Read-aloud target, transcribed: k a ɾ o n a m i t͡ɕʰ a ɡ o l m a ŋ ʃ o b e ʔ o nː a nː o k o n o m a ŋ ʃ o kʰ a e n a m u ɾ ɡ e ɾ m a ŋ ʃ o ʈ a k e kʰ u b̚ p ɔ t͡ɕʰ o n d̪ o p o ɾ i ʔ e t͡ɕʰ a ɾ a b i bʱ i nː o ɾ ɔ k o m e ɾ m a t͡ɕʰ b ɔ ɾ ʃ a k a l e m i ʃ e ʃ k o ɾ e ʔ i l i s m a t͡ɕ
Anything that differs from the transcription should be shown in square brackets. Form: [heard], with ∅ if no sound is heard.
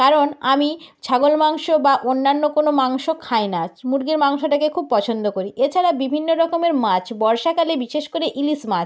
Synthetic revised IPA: k a ɾ o n a m i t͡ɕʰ a ɡ o l m a ŋ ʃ o b [a] ʔ o nː a nː o k o n o m a ŋ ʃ o kʰ a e n a m u ɾ ɡ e ɾ m a ŋ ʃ o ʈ a k e kʰ u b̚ p ɔ t͡ɕʰ o n d̪ o [k] o ɾ i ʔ e t͡ɕʰ a ɾ a b i bʱ i nː o ɾ ɔ k o m e ɾ m a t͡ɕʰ b ɔ ɾ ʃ a k a l e [b] i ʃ e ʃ k o ɾ e ʔ i l i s m a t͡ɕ

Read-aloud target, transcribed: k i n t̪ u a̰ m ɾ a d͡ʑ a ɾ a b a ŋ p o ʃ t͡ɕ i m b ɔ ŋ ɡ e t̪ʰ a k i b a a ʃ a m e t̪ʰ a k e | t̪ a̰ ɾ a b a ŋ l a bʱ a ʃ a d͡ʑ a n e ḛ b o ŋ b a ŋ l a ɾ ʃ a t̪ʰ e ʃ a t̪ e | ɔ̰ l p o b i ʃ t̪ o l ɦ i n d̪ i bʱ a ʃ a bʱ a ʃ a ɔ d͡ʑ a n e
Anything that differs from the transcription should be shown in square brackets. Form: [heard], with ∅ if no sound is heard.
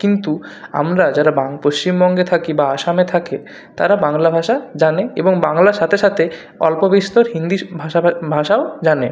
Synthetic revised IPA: k i n t̪ u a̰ m ɾ a d͡ʑ a ɾ a b a ŋ p o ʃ t͡ɕ i m b ɔ ŋ ɡ e t̪ʰ a k i b a a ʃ a m e t̪ʰ a k e | t̪ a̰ ɾ a b a ŋ l a bʱ a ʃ a d͡ʑ a n e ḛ b o ŋ b a ŋ l a ɾ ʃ a t̪ʰ e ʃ a [t̪ʰ] e | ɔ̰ l p o b i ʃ t̪ o [ɾ] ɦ i n d̪ i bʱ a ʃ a bʱ a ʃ a [o] d͡ʑ a n e

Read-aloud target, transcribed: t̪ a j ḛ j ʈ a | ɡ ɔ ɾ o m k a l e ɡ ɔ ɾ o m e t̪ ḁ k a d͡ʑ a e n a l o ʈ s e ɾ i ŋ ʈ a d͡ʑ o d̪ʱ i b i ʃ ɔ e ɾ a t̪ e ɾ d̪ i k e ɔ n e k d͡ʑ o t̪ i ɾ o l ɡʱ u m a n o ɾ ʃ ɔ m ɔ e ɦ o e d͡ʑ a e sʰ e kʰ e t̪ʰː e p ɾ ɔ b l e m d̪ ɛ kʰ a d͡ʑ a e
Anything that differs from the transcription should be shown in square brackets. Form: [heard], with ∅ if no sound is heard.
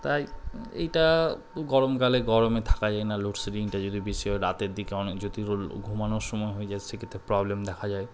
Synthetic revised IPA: t̪ a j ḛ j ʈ a | ɡ ɔ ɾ o m k a l e ɡ ɔ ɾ o m e [t̪ʰ] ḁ k a d͡ʑ a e n a l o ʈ s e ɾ i ŋ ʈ a d͡ʑ o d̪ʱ i b i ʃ ɔ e ɾ a t̪ e ɾ d̪ i k e ɔ n e k d͡ʑ o t̪ i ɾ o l ɡʱ u m a n o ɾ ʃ ɔ m ɔ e ɦ o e d͡ʑ a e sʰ e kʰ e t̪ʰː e p ɾ ɔ b l e m d̪ ɛ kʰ a d͡ʑ a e

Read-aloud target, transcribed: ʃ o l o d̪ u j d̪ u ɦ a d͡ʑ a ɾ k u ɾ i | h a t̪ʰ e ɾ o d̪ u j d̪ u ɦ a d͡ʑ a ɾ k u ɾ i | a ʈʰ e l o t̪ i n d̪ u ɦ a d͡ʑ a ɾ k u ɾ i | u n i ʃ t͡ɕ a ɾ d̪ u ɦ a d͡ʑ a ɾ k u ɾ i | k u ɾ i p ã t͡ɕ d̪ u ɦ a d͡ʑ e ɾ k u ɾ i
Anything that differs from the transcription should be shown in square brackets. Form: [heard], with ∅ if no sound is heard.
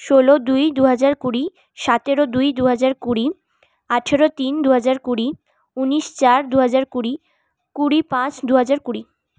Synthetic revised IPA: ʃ o l o d̪ u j d̪ u ɦ a d͡ʑ a ɾ k u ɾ i | [ʃ] a [t̪] e ɾ o d̪ u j d̪ u ɦ a d͡ʑ a ɾ k u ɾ i | a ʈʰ e [ɾ] o t̪ i n d̪ u ɦ a d͡ʑ a ɾ k u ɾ i | u n i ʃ t͡ɕ a ɾ d̪ u ɦ a d͡ʑ a ɾ k u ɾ i | k u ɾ i p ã t͡ɕ d̪ u ɦ a d͡ʑ [a] ɾ k u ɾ i

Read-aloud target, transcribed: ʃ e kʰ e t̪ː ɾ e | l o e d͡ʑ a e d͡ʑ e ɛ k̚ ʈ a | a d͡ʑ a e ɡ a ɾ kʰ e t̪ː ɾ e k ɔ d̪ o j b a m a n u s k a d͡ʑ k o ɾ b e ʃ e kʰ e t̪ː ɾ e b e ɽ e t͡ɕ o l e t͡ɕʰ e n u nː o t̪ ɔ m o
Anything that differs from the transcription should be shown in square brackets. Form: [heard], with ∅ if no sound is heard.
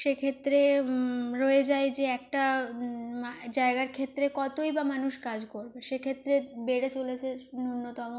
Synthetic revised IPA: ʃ e kʰ e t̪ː ɾ e | [ɾ] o e d͡ʑ a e d͡ʑ e ɛ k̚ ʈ a | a d͡ʑ a e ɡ a ɾ kʰ e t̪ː ɾ e k ɔ [t̪] o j b a m a n u [ʃ] k a d͡ʑ k o ɾ b e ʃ e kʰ e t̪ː ɾ e b e ɽ e t͡ɕ o l e t͡ɕʰ e n u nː o t̪ ɔ m o

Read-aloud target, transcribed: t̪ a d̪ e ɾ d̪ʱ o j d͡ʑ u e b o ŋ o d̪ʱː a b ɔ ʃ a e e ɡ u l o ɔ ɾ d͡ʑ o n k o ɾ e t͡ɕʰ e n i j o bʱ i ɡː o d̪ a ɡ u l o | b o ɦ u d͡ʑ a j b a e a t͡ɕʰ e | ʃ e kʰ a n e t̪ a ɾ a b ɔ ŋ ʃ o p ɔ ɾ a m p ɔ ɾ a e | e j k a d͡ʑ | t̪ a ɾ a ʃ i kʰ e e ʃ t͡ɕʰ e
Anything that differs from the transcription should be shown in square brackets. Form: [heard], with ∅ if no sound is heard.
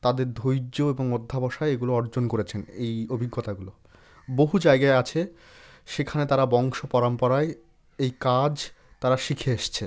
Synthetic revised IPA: t̪ a d̪ e ɾ d̪ʱ o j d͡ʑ [o] e b o ŋ o d̪ʱː a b ɔ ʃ a e e ɡ u l o ɔ ɾ d͡ʑ o n k o ɾ e t͡ɕʰ e n [e] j o bʱ i ɡː o [t̪] a ɡ u l o | b o ɦ u d͡ʑ a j [ɡ] a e a t͡ɕʰ e | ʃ e kʰ a n e t̪ a ɾ a b ɔ ŋ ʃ o p ɔ ɾ a m p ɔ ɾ a e | e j k a d͡ʑ | t̪ a ɾ a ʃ i kʰ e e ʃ t͡ɕʰ e

